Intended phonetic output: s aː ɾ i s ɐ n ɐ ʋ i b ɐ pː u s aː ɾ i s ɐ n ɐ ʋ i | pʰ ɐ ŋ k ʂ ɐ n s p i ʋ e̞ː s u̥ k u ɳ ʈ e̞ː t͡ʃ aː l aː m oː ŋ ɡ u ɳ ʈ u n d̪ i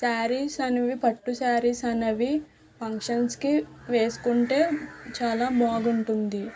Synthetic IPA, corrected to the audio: s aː ɾ i s ɐ n ɐ ʋ i p ɐ ʈː u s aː ɾ i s ɐ n ɐ ʋ i | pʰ ɐ ŋ k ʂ ɐ n s k i ʋ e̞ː s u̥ k u ɳ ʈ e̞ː t͡ʃ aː l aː m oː ɡ u ɳ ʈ u n d̪ i